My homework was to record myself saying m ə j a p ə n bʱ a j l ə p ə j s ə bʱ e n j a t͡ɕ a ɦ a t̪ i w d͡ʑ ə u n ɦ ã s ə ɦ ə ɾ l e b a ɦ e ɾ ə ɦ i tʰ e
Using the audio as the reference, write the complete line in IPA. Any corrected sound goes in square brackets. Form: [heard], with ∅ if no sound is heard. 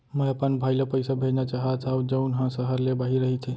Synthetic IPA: m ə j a p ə n bʱ a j l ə p ə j s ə bʱ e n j a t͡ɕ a ɦ a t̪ [a] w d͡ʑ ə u n ɦ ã s ə ɦ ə ɾ l e b a ɦ [i] ɾ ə ɦ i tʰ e